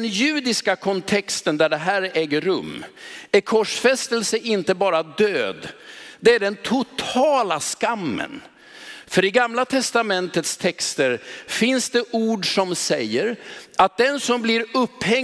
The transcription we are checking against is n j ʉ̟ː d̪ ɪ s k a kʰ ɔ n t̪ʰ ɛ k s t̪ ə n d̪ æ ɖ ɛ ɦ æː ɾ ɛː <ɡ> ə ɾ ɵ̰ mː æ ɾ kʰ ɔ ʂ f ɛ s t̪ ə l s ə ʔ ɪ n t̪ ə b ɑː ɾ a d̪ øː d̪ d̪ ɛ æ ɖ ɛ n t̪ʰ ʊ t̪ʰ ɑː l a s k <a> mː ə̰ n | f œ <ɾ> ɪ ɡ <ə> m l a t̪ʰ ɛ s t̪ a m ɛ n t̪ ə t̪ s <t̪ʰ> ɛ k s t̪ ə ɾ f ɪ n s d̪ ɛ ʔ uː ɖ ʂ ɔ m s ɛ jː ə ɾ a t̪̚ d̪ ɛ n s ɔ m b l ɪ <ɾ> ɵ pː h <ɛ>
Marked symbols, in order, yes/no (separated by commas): yes, yes, yes, no, yes, yes, yes